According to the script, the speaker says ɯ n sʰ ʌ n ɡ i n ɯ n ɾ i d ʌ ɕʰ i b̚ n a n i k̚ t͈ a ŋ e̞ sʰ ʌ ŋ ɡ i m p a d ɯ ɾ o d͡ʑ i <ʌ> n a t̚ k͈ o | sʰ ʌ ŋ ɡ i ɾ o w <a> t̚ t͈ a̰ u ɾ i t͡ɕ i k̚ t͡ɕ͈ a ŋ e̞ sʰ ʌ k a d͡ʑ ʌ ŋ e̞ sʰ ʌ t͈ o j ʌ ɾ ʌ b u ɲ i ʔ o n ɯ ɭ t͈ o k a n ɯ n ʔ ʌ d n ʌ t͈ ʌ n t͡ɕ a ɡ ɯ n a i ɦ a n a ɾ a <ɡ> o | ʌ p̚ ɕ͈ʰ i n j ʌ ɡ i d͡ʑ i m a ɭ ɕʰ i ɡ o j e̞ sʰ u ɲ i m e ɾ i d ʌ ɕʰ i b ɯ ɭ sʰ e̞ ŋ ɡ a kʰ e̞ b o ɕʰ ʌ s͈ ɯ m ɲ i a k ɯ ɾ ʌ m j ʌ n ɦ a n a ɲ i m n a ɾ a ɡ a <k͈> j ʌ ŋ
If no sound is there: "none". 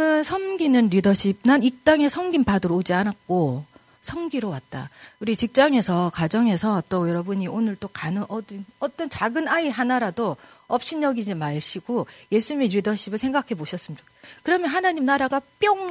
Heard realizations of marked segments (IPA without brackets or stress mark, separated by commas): a, a, d, p͈